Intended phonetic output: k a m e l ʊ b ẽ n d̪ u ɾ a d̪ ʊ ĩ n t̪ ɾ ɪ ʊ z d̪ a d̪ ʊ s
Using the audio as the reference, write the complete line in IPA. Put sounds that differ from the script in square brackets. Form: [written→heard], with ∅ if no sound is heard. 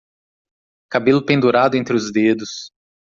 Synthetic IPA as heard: k a [m→b] e l ʊ [b→p] ẽ n d̪ u ɾ a d̪ ʊ [ĩ→ẽ] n t̪ ɾ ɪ ʊ z d̪ [a→e] d̪ ʊ s

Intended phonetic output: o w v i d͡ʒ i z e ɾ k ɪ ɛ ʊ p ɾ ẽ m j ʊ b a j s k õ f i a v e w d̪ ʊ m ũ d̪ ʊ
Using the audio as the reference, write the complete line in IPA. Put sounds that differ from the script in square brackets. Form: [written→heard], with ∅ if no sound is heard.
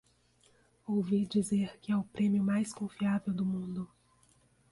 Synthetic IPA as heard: o w v i d͡ʒ i z e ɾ k ɪ ɛ ʊ p ɾ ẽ m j ʊ [b→m] a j s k õ f i a v e w d̪ ʊ m ũ d̪ ʊ

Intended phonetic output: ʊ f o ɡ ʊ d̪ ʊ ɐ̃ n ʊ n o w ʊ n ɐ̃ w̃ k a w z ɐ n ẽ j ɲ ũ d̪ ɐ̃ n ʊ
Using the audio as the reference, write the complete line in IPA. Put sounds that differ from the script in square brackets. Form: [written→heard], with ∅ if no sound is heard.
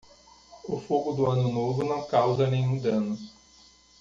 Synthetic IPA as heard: ʊ f o ɡ ʊ d̪ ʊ ɐ̃ n ʊ n o [w→v] ʊ n ɐ̃ w̃ k a w z ɐ n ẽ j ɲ ũ d̪ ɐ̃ n ʊ

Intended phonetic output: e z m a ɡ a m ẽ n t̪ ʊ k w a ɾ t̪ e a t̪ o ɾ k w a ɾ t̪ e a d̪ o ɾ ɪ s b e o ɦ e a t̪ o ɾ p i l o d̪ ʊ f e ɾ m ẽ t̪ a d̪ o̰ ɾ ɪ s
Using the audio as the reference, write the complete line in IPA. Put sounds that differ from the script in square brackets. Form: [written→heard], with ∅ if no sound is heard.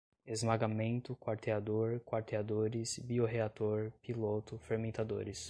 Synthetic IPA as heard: e z m a ɡ a m ẽ n t̪ ʊ k w a ɾ t̪ e a [t̪→d̪] o ɾ k w a ɾ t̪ e a d̪ o ɾ ɪ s b [e→i] o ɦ e a t̪ o ɾ p i l o [d̪→t̪] ʊ f e ɾ m ẽ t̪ a d̪ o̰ ɾ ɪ s

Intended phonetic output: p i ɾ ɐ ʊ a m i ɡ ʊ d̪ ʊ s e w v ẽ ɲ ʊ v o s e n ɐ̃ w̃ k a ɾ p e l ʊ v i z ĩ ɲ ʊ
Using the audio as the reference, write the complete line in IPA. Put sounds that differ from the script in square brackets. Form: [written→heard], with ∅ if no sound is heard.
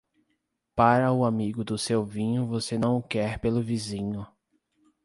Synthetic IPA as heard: p [i→a] ɾ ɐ ʊ a m i ɡ ʊ d̪ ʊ s e w v [ẽ→ĩ] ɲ ʊ v o s e n ɐ̃ w̃ k [a→ɛ] ɾ p e l ʊ v i z ĩ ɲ ʊ

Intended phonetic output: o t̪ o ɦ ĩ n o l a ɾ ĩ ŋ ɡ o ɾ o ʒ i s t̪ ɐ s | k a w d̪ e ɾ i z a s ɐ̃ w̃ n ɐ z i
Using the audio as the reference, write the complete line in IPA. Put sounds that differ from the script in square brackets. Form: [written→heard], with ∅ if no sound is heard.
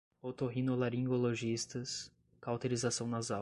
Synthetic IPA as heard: o t̪ o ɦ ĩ n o l a ɾ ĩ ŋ ɡ o [ɾ→l] o ʒ i s t̪ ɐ s | k a w [d̪→t̪] e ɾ i z a s ɐ̃ w̃ n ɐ z [i→a]

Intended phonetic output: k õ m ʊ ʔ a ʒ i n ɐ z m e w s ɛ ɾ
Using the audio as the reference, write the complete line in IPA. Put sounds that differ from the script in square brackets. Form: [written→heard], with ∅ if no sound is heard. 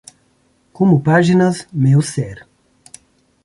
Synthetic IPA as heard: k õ m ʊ [ʔ→p] a ʒ i n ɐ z m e w s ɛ ɾ

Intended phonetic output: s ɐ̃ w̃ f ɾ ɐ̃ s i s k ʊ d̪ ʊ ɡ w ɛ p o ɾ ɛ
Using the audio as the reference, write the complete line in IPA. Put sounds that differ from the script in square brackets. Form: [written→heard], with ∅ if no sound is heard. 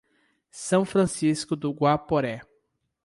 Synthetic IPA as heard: s ɐ̃ w̃ f ɾ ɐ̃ s i s k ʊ d̪ ʊ ɡ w [ɛ→a] p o ɾ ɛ

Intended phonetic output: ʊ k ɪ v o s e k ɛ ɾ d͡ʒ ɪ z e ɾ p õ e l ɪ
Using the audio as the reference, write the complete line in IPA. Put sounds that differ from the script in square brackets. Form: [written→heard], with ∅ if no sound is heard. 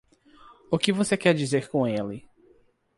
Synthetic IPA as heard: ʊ k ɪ v o s e k ɛ ɾ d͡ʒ [ɪ→i] z e ɾ [p→k] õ e l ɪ

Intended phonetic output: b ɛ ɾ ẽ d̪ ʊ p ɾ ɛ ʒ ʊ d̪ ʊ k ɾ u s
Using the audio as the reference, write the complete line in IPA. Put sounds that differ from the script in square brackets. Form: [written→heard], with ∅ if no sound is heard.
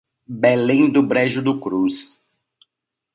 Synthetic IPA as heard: b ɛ [ɾ→l] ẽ d̪ ʊ [p→b] ɾ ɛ ʒ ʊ d̪ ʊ k ɾ u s

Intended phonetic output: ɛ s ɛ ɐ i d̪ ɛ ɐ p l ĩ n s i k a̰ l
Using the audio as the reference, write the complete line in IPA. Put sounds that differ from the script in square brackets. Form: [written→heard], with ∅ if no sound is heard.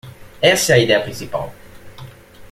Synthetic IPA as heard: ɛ s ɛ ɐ i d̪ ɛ ɐ p [l→ɾ] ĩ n s i [k→p] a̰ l

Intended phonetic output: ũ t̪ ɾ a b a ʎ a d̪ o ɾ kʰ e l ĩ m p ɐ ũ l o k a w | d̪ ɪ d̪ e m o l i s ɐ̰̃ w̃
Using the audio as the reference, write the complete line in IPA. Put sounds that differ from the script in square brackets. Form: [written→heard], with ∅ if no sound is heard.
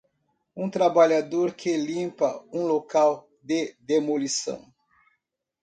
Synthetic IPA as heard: ũ t̪ ɾ a b a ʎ a d̪ o ɾ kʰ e l ĩ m p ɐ ũ l o k a w | d̪ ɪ d̪ e m o l i s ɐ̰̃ w̃

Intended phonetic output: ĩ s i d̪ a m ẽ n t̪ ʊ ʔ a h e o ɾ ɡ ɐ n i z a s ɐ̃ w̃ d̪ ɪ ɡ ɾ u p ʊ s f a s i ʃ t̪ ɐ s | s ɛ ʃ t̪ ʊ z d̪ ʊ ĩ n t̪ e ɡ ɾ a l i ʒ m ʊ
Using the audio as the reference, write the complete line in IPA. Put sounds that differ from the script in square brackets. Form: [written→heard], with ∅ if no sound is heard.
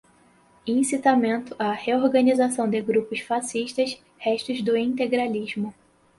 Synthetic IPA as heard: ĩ s i [d̪→t̪] a m ẽ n t̪ ʊ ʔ a h e o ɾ ɡ ɐ n i z a s ɐ̃ w̃ d̪ ɪ ɡ ɾ u p ʊ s f a s i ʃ t̪ ɐ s | [s→h] ɛ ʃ t̪ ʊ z d̪ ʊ ĩ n t̪ e ɡ ɾ a l i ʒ m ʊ

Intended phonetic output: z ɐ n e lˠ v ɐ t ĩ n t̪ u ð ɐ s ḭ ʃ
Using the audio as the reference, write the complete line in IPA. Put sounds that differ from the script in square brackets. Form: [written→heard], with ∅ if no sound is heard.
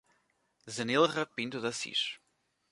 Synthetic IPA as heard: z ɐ n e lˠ [v→ʁ] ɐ [t→p] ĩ n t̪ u ð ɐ s ḭ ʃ

